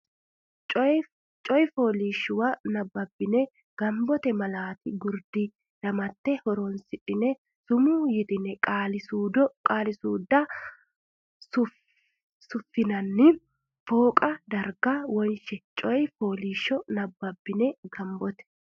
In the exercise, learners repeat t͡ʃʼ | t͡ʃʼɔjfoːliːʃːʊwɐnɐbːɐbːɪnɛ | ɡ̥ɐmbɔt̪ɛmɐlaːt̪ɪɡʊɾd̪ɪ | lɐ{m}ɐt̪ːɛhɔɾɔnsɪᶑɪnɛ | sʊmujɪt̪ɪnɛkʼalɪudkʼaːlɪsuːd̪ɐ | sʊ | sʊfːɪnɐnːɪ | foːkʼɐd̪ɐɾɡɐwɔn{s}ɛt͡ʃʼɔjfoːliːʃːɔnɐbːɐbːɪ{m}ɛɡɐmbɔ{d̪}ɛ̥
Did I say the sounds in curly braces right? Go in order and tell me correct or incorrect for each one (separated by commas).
correct, incorrect, incorrect, incorrect